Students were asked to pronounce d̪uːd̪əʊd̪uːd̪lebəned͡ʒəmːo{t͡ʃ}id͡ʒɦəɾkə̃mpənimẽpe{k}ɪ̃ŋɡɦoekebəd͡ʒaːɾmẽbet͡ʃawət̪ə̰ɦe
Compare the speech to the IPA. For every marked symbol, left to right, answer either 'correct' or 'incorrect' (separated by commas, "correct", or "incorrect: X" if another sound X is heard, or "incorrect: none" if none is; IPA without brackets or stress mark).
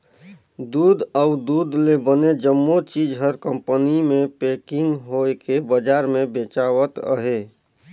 correct, correct